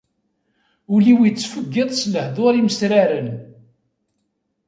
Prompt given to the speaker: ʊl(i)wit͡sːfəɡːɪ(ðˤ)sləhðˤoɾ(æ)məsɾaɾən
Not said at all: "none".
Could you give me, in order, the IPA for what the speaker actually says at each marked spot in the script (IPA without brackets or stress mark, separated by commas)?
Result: i, ðˤ, i